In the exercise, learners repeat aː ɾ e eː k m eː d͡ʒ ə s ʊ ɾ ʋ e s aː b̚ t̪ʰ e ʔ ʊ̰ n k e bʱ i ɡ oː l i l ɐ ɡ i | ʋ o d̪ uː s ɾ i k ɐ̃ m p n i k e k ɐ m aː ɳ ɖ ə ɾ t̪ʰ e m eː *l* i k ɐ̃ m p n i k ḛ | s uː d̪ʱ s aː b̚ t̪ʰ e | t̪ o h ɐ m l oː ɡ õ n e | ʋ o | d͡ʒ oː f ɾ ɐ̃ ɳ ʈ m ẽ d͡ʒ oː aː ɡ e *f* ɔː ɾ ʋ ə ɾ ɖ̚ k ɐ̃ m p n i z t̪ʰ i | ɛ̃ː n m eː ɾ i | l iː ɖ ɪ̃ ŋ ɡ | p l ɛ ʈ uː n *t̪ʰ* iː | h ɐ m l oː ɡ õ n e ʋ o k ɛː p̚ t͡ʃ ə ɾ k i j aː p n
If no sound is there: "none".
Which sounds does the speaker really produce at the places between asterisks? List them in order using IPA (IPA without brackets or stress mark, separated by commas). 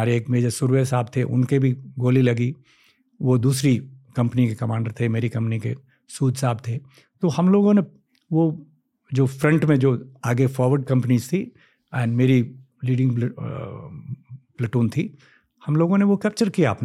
ɾ, f, t̪ʰ